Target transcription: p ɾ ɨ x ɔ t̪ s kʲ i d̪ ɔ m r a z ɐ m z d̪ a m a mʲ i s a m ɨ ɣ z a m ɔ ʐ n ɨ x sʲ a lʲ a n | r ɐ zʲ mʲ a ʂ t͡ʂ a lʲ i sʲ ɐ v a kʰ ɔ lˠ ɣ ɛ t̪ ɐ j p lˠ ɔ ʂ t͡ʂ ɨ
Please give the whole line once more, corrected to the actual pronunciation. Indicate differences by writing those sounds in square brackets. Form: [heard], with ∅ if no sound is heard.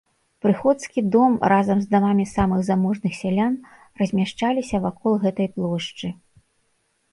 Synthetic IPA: p ɾ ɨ x ɔ t̪ s kʲ i d̪ ɔ m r a z ɐ m z d̪ a m a mʲ i s a m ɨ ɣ z a m ɔ ʐ n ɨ x sʲ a lʲ a n | r ɐ zʲ mʲ a ʂ t͡ʂ a lʲ i sʲ ɐ v a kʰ ɔ lˠ ɣ ɛ t̪ ɐ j p lˠ ɔ ʂ t͡ʂ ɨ